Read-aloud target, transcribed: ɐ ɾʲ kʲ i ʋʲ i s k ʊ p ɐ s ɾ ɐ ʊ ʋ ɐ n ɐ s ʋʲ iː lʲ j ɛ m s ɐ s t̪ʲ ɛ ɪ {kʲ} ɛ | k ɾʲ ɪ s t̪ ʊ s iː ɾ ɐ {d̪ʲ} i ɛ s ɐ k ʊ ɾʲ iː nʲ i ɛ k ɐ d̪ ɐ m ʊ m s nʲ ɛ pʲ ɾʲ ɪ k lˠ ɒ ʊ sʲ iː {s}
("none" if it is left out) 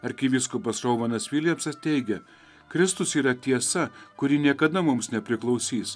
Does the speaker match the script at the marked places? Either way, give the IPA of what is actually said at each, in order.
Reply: ɡʲ, t̪ʲ, s

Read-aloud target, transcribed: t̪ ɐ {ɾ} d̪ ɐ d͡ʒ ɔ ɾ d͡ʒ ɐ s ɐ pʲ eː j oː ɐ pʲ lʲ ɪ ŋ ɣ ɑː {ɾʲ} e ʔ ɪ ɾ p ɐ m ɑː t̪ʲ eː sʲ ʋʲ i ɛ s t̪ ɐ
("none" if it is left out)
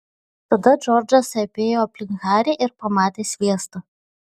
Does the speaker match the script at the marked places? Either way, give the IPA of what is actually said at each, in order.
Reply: none, ɾʲ

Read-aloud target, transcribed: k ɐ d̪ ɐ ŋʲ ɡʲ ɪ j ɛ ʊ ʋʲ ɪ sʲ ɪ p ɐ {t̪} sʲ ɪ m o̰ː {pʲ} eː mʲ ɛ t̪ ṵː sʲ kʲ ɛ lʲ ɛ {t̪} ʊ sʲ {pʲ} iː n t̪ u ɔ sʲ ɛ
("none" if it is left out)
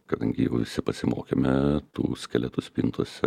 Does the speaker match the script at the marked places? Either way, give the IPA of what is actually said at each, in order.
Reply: none, kʲ, t̪, pʲ

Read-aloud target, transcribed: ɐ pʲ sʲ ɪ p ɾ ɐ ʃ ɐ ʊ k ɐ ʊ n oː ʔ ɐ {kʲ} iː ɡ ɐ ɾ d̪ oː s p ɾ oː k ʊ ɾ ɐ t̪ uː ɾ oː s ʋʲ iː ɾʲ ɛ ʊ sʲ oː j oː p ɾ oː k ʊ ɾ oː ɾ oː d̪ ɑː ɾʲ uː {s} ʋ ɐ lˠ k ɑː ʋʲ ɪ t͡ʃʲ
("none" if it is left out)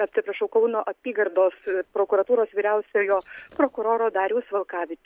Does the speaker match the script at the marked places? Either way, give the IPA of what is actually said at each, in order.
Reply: pʲ, s

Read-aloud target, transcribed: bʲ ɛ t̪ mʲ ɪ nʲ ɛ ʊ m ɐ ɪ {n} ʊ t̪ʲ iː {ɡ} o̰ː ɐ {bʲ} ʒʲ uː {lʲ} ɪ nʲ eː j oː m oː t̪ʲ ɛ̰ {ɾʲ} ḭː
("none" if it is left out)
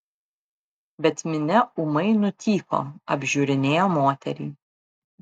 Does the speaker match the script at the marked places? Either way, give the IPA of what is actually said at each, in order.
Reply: n, k, bʲ, ɾʲ, ɾʲ

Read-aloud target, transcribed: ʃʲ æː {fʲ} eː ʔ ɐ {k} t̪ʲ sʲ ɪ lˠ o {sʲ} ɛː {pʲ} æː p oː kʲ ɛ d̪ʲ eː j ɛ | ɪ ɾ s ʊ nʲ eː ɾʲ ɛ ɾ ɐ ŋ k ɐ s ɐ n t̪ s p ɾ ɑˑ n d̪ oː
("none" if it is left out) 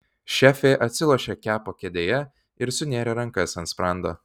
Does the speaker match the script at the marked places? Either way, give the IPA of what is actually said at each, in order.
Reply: fʲ, none, ʃʲ, kʲ

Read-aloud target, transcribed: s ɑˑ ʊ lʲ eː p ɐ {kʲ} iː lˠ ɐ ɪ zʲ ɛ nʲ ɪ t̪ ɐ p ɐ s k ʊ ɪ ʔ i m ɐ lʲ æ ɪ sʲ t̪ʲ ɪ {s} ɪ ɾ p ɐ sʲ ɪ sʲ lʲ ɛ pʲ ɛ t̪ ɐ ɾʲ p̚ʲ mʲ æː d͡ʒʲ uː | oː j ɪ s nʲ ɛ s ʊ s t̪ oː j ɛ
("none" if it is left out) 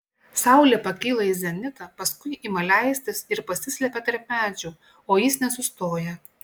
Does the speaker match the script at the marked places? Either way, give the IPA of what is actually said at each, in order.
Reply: kʲ, s

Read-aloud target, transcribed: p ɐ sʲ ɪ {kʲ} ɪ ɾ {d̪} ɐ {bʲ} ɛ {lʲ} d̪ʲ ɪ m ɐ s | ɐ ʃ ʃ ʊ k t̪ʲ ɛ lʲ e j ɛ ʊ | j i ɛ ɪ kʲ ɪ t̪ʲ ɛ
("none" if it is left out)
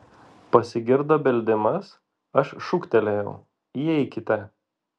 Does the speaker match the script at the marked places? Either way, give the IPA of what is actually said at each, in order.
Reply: ɡʲ, d̪, bʲ, lʲ

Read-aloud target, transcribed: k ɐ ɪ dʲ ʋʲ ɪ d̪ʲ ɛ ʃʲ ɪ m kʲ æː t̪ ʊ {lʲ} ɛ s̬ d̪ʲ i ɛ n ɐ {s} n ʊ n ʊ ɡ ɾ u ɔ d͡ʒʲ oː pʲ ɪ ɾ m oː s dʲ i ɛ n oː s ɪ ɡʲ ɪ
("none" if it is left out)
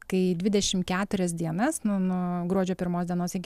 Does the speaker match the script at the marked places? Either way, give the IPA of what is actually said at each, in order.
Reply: ɾʲ, s

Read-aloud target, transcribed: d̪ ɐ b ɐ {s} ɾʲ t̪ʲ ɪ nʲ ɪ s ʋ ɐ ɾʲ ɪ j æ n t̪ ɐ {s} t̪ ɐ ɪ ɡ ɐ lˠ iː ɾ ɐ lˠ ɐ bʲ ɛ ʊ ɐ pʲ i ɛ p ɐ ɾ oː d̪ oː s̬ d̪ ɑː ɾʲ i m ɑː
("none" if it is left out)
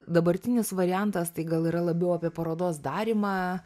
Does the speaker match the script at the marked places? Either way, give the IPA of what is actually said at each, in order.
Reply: none, s

